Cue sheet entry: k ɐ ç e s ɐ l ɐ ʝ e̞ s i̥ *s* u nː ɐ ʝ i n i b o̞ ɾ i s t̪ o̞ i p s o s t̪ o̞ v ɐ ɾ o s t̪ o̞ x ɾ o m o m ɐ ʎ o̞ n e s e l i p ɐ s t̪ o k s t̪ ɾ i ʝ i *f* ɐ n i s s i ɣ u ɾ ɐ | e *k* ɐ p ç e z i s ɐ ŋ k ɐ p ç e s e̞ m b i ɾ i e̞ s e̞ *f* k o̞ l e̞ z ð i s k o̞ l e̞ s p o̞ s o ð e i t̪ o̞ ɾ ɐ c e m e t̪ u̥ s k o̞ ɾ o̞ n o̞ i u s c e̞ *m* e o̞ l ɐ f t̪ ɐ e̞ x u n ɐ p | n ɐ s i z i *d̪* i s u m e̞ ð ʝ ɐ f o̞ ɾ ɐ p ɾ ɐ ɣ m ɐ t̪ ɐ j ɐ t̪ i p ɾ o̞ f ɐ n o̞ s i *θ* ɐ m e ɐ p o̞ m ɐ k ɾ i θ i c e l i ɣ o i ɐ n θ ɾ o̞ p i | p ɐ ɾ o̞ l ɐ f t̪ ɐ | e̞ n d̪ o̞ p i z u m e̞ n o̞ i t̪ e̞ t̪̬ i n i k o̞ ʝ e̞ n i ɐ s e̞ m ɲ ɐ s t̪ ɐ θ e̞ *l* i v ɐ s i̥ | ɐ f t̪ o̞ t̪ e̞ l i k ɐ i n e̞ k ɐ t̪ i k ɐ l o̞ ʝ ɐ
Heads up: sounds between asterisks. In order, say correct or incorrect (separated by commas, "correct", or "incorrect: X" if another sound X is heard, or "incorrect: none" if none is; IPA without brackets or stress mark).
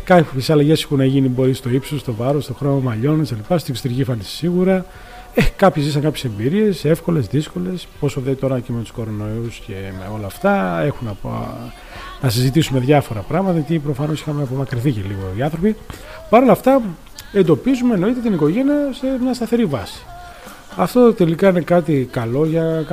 incorrect: x, correct, correct, correct, correct, incorrect: t̪, incorrect: x, incorrect: ɾ